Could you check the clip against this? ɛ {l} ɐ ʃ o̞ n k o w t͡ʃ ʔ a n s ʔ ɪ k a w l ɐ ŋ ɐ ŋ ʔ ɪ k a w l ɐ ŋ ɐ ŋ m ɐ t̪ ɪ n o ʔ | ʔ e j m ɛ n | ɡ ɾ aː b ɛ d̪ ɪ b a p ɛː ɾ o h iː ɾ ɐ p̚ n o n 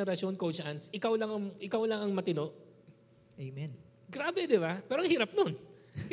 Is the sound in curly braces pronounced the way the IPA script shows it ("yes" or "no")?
no